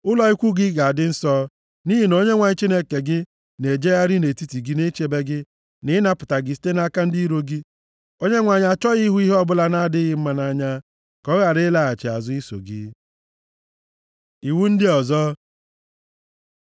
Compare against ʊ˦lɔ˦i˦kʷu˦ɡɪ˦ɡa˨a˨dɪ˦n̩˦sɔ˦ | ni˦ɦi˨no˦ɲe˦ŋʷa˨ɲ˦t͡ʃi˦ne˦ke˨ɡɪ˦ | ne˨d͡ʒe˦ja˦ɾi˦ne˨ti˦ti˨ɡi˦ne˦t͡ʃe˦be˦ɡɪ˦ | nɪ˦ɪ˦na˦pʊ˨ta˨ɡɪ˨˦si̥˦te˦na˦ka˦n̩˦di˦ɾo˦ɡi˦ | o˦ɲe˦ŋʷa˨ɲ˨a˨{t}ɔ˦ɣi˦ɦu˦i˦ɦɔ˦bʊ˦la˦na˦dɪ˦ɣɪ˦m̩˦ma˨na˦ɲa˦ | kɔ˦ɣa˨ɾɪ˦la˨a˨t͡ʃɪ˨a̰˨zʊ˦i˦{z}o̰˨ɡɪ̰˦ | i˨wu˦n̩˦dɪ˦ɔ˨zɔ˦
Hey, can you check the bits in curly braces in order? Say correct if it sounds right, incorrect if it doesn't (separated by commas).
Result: incorrect, incorrect